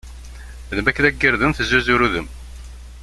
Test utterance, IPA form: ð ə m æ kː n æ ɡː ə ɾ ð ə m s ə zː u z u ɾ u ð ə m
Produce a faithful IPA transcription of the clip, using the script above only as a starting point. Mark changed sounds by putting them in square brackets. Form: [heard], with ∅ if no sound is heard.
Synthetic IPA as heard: ð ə m æ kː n æ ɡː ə ɾ ð ə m [θ] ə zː u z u ɾ u ð ə m